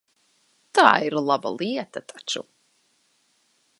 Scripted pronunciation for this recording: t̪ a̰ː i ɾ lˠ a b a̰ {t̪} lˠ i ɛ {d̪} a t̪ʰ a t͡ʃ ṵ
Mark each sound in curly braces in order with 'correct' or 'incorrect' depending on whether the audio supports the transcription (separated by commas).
incorrect, incorrect